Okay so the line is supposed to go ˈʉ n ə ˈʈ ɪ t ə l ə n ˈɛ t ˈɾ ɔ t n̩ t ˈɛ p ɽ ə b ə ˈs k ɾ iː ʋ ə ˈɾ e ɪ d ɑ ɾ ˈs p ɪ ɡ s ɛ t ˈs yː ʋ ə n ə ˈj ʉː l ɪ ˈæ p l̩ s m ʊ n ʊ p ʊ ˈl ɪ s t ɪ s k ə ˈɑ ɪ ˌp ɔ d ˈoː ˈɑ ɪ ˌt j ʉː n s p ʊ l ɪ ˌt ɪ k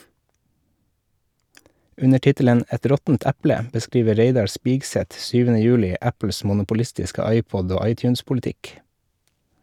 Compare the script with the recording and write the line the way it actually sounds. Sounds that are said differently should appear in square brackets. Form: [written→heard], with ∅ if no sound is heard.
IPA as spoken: ˈʉ n ə ˈʈ ɪ t ə l ə n ˈɛ t ˈɾ ɔ t n̩ t [ˈɛ→ˈæ] p [ɽ→l] ə b ə ˈs k ɾ iː ʋ ə ˈɾ e ɪ d ɑ ɾ ˈs p ɪ ɡ s ɛ t ˈs yː ʋ ə n ə ˈj ʉː l ɪ ˈæ p l̩ s m ʊ n ʊ p ʊ ˈl ɪ s t ɪ s k ə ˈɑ ɪ ˌp ɔ d ˈoː ˈɑ ɪ ˌt j ʉː n s p ʊ l ɪ ˌt ɪ k

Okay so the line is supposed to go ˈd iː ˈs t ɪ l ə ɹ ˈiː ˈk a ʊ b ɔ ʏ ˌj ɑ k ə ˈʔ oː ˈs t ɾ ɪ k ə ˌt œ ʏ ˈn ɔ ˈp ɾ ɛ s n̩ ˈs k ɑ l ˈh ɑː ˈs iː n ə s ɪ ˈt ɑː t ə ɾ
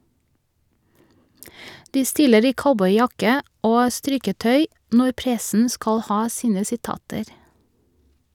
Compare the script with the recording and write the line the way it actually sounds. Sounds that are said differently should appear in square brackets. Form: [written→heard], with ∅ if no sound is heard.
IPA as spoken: ˈd iː ˈs t ɪ l ə ɹ ˈiː ˈk a ʊ b ɔ ʏ ˌj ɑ k ə ˈʔ oː ˈs t ɾ ɪ k ə ˌt œ ʏ ˈn ɔ ˈp ɾ ɛ s n̩ ˈs k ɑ l ˈh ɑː ˈs iː n ə s ɪ ˈt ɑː t ə ɾ

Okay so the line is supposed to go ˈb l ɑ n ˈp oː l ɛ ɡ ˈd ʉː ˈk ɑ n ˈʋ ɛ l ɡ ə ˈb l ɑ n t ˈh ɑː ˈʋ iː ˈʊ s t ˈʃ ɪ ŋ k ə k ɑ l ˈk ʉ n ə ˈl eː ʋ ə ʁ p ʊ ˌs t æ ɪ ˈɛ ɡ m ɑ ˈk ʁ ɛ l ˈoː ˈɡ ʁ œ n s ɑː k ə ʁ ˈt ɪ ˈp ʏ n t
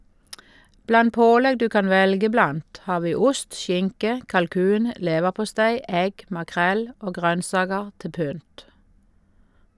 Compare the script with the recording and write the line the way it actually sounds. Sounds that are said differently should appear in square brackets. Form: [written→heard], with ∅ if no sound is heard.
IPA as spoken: ˈb l ɑ n ˈp oː l ɛ ɡ ˈd ʉː ˈk ɑ n ˈʋ ɛ l ɡ ə ˈb l ɑ n t ˈh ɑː ˈʋ iː ˈʊ s t ˈʃ ɪ ŋ k ə k ɑ l ˈk [ʉ→ʉː] n ə ˈl eː ʋ ə ʁ p ʊ ˌs t æ ɪ ˈɛ ɡ m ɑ ˈk ʁ ɛ l ˈoː ˈɡ ʁ œ n s ɑː [k→ɡ] ə ʁ ˈt ɪ ˈp ʏ n t

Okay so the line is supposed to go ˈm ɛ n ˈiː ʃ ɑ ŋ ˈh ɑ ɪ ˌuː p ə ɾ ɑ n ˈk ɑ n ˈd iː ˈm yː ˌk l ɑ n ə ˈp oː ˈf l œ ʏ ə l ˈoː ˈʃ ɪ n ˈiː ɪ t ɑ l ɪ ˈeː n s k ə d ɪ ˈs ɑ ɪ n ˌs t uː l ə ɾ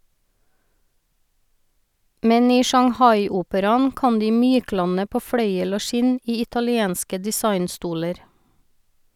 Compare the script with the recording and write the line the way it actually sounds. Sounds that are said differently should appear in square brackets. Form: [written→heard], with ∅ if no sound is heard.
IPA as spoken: ˈm ɛ n ˈiː ʃ ɑ ŋ ˈh ɑ ɪ ˌuː p ə ɾ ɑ n ˈk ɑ n ˈd iː ˈm yː ˌk l ɑ n ə ˈp oː ˈf [l→ɽ] œ ʏ ə l ˈoː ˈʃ ɪ n ˈiː ɪ t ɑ l ɪ ˈeː n s k ə d ɪ ˈs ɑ ɪ n ˌs t uː l ə ɾ

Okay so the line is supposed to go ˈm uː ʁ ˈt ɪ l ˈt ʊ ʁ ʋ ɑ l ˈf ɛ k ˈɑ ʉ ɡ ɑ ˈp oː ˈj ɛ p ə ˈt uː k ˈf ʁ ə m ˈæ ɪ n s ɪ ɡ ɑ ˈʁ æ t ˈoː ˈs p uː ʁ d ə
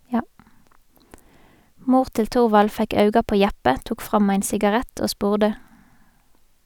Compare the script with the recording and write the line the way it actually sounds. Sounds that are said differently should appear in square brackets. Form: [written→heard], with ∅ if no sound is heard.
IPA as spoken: ˈm uː ʁ ˈt ɪ l ˈt ʊ ʁ ʋ ɑ l ˈf ɛ k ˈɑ ʉ ɡ ɑ ˈp oː ˈj [ɛ→æ] p ə ˈt uː k ˈf ʁ [ə→ɑ] m ˈæ ɪ n s ɪ ɡ ɑ ˈʁ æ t ˈoː ˈs p uː ʁ d ə

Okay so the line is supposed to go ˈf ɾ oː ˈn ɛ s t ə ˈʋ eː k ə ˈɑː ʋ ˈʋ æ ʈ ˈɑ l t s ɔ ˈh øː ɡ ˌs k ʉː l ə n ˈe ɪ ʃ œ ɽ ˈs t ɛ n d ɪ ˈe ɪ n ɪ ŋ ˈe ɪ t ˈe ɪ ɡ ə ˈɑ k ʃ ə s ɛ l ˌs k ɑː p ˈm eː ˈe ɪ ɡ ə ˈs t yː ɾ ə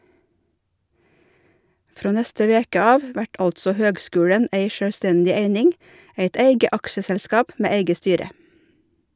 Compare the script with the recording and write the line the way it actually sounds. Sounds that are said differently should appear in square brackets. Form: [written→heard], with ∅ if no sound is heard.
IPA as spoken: ˈf ɾ oː ˈn ɛ s t ə ˈʋ eː k ə ˈɑː ʋ ˈʋ æ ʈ ˈɑ l t s ɔ ˈh øː ɡ ˌs k ʉː [l→ɽ] ə n ˈe ɪ ʃ œ ɽ ˈs t ɛ n d ɪ ˈe ɪ n ɪ ŋ ˈe ɪ t ˈe ɪ ɡ ə ˈɑ k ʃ ə s ɛ l ˌs k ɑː p ˈm eː ˈe ɪ ɡ ə ˈs t yː ɾ ə

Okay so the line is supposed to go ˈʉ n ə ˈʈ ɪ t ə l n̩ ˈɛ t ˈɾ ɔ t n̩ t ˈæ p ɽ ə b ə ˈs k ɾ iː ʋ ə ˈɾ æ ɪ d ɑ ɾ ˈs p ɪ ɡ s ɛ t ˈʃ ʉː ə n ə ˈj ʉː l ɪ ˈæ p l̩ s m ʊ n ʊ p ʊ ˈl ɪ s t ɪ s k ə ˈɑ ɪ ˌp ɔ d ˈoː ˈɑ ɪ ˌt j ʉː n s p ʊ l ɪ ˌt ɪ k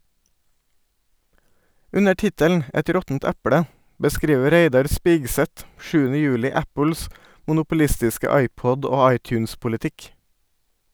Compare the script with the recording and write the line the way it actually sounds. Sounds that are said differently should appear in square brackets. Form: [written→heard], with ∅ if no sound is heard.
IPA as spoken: ˈʉ n ə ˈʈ ɪ t ə l n̩ ˈɛ t ˈɾ ɔ t n̩ t ˈæ p ɽ ə b ə ˈs k ɾ iː ʋ ə ˈɾ [æ→e] ɪ d ɑ ɾ ˈs p ɪ ɡ s ɛ t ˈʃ ʉː ə n ə ˈj ʉː l ɪ ˈæ p l̩ s m ʊ n ʊ p ʊ ˈl ɪ s t ɪ s k ə ˈɑ ɪ ˌp ɔ d ˈoː ˈɑ ɪ ˌt j ʉː n s p ʊ l ɪ ˌt ɪ k

